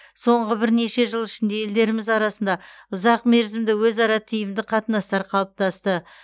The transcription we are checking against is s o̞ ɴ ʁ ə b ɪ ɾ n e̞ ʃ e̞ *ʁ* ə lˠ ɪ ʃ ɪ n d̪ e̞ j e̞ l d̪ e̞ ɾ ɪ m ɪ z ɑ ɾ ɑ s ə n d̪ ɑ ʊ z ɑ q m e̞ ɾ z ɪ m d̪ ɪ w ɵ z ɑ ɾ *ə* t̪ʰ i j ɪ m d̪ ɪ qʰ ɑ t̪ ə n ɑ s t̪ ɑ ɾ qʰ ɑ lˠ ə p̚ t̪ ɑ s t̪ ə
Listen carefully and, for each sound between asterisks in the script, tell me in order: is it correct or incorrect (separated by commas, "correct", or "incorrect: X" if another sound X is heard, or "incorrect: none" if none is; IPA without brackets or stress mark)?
incorrect: ʒ, incorrect: ɑ